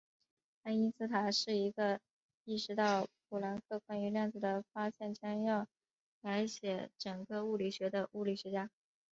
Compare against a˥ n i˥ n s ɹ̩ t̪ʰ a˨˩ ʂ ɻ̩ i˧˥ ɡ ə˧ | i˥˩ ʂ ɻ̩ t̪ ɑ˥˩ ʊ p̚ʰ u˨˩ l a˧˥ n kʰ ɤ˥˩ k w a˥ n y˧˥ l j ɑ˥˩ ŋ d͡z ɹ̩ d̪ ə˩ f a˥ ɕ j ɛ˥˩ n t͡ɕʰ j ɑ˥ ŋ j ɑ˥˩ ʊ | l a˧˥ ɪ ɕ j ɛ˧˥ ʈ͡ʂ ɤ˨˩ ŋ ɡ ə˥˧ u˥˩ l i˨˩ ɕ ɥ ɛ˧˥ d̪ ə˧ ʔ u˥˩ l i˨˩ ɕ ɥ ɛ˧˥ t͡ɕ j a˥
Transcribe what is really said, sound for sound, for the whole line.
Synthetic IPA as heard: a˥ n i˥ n s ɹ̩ t̪ʰ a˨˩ ʂ ɻ̩ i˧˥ ɡ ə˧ | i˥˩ ʂ ɻ̩ t̪ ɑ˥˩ ʊ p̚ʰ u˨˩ l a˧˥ n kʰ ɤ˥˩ k w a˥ n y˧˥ l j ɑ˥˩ ŋ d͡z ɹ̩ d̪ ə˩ f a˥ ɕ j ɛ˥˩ n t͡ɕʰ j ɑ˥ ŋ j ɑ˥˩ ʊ | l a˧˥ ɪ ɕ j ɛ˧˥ ʈ͡ʂ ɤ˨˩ ŋ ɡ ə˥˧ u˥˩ l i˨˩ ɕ ɥ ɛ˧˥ d̪ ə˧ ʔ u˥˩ l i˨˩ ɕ ɥ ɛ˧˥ t͡ɕ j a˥

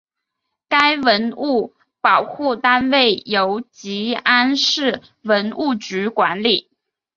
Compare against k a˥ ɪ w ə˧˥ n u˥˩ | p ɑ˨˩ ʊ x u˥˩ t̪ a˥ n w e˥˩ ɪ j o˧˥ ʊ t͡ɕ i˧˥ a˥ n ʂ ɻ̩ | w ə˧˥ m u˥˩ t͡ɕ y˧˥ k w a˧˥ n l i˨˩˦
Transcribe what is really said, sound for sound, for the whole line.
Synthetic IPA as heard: k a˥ ɪ w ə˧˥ n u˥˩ | p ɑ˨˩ ʊ x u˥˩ t̪ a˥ n w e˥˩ ɪ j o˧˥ ʊ t͡ɕ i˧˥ a˥ n ʂ ɻ̩ | w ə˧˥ n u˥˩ t͡ɕ y˧˥ k w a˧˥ n l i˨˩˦

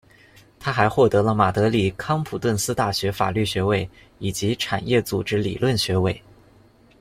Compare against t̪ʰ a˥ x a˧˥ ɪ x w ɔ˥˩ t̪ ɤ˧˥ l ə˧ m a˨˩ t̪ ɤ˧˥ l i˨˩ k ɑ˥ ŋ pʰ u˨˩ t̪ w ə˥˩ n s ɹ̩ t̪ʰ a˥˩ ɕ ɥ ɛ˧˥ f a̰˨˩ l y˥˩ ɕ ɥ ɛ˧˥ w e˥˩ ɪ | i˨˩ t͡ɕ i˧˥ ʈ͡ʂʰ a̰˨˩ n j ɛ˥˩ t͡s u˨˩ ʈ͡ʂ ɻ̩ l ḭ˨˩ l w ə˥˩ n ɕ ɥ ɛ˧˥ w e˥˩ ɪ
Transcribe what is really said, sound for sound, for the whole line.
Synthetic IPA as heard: t̪ʰ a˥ x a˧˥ ɪ x w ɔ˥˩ t̪ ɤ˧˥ l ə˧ m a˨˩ t̪ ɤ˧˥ l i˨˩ kʰ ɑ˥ ŋ pʰ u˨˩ t̪ w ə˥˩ n s ɹ̩ t̪ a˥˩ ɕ ɥ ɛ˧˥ f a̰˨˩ l y˥˩ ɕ ɥ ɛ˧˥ w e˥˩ ɪ | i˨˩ t͡ɕ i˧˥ ʈ͡ʂʰ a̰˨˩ n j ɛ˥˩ t͡s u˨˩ ʈ͡ʂ ɻ̩ l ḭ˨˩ l w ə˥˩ n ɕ ɥ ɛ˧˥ w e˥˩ ɪ

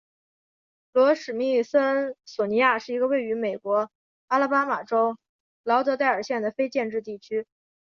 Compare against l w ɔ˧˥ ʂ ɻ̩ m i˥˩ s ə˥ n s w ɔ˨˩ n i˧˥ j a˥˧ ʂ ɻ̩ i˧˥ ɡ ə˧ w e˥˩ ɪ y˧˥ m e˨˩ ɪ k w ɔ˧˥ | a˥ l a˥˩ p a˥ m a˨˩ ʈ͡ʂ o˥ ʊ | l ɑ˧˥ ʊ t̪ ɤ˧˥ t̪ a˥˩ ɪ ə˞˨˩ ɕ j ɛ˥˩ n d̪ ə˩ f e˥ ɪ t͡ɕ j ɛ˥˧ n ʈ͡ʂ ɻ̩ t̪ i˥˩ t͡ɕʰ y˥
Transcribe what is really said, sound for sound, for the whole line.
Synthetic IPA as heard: l w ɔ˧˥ ʂ ɻ̩ m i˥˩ s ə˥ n s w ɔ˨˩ n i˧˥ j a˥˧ ʂ ɻ̩ i˧˥ ɡ ə˧ w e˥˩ ɪ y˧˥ m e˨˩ ɪ k w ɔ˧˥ | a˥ l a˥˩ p a˥ m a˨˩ ʈ͡ʂ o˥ ʊ | l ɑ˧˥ ʊ t̪ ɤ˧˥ t̪ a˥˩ ɪ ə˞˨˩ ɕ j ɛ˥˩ n d̪ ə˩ f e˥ ɪ t͡ɕ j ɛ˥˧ n ʈ͡ʂ ɻ̩ t̪ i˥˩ t͡ɕʰ y˥

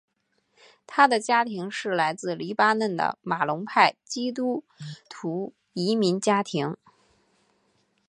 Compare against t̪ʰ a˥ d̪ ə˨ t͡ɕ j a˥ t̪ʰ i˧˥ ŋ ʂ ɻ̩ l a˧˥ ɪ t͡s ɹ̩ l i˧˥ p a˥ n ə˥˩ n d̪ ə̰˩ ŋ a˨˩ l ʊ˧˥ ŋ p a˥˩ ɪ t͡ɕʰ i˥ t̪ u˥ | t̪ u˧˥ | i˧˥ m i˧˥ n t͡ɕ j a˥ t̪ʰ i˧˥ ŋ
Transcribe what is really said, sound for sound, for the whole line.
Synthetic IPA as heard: t̪ʰ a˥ d̪ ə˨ t͡ɕ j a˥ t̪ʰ i˧˥ ŋ ʂ ɻ̩ l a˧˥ ɪ t͡s ɹ̩ l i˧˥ p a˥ n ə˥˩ n d̪ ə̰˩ m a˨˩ l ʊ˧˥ ŋ pʰ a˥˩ ɪ t͡ɕ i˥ t̪ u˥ | t̪ʰ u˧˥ | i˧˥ m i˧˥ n t͡ɕ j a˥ t̪ʰ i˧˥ ŋ

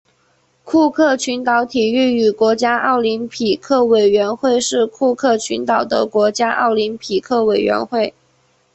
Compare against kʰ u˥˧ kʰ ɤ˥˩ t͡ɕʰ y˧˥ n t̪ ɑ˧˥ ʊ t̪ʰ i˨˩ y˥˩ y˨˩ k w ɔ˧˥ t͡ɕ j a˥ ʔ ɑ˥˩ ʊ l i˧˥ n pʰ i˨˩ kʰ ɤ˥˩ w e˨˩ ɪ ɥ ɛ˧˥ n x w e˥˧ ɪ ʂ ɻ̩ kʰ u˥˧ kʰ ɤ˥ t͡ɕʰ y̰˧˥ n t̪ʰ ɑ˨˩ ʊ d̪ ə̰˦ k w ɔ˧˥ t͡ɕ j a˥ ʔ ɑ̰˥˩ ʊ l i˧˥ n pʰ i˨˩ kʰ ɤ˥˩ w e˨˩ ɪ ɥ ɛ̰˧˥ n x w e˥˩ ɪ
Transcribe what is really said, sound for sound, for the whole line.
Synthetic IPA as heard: kʰ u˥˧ kʰ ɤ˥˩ t͡ɕʰ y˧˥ n t̪ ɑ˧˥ ʊ t̪ʰ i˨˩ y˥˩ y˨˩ k w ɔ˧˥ t͡ɕ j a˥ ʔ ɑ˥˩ ʊ l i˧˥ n pʰ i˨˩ kʰ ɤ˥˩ w e˨˩ ɪ ɥ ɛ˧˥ n x w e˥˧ ɪ ʂ ɻ̩ kʰ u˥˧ kʰ ɤ˥˩ t͡ɕʰ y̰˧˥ n t̪ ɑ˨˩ ʊ d̪ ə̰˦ k w ɔ˧˥ t͡ɕ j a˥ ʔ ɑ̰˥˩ ʊ l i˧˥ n pʰ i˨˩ kʰ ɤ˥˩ w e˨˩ ɪ ɥ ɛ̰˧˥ n x w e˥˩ ɪ

